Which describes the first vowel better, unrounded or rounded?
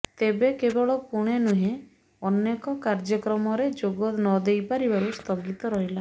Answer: unrounded